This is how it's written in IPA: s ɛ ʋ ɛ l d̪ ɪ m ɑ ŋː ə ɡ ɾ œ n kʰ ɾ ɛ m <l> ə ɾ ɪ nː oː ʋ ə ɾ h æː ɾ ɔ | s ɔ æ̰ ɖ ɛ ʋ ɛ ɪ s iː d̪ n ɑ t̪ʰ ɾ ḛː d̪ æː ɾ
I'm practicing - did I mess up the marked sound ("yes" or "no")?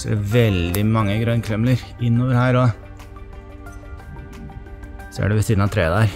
no